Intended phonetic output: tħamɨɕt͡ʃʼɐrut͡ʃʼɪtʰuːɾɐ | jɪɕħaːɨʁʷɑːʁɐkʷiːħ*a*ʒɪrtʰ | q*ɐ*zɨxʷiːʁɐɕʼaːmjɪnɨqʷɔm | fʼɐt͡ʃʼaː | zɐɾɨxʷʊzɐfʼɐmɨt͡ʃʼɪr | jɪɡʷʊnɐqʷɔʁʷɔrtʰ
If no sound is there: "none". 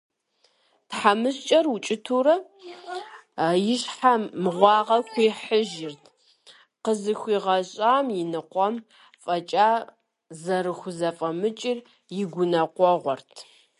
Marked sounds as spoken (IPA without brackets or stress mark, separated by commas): ə, ə